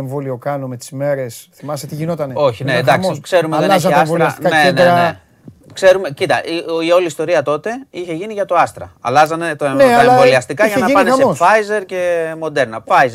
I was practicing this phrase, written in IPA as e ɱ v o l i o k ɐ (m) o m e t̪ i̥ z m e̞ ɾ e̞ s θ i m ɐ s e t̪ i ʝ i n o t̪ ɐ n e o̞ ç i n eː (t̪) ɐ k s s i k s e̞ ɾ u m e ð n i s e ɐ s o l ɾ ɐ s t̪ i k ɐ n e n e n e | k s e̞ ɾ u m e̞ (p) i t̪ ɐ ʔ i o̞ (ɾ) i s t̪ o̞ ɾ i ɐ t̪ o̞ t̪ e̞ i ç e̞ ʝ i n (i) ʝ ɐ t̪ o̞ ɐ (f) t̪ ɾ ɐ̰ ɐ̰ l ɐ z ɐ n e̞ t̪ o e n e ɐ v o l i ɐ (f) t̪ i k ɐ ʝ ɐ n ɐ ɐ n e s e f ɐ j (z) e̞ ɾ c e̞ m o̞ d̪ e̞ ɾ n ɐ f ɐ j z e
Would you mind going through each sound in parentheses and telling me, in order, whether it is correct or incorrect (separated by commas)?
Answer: incorrect, incorrect, incorrect, incorrect, correct, incorrect, incorrect, correct